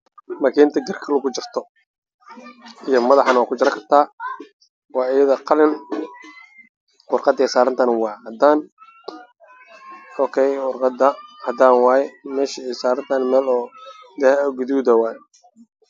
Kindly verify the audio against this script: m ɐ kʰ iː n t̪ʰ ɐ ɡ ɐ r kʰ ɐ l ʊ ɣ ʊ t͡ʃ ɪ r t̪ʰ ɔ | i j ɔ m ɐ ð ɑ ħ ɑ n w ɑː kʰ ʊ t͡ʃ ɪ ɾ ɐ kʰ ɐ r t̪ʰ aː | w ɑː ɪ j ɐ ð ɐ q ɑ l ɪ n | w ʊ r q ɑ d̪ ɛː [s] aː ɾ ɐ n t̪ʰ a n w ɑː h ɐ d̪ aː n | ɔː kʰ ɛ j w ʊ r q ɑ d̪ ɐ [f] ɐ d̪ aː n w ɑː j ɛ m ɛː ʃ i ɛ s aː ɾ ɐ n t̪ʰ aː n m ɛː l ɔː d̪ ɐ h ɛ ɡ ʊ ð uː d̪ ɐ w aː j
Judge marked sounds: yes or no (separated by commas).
yes, no